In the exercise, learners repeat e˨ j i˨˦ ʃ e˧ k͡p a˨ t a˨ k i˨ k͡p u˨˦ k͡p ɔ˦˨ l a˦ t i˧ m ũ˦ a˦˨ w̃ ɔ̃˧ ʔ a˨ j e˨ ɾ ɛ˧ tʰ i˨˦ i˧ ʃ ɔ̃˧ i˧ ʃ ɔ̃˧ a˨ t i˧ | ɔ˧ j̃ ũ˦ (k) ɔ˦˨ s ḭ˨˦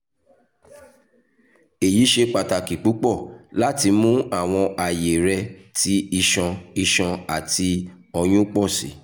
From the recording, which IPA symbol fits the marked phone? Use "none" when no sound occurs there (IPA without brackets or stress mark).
k͡p